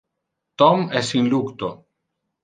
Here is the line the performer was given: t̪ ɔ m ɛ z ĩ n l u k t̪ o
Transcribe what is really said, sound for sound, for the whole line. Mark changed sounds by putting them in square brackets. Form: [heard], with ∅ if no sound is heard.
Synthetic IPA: t̪ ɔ m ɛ [s] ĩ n l u k t̪ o